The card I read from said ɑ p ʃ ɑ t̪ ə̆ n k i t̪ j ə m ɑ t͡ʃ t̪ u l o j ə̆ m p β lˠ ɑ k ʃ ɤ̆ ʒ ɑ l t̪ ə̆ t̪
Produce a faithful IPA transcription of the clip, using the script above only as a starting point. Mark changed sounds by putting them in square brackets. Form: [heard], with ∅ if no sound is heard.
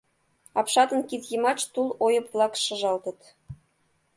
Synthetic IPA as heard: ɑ p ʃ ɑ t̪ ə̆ n k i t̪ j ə m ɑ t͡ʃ t̪ u l o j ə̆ [∅] p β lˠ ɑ k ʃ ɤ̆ ʒ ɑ l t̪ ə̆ t̪